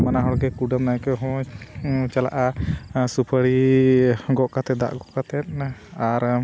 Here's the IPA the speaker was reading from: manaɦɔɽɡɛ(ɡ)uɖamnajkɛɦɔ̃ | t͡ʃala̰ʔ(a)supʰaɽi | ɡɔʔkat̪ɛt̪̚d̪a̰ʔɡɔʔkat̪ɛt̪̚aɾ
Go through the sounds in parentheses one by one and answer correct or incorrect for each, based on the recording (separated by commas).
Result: incorrect, correct